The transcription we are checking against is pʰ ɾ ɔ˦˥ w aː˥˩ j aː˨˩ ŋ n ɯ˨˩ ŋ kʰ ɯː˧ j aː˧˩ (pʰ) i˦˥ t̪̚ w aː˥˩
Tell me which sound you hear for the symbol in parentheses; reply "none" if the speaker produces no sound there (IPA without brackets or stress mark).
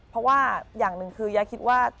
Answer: kʰ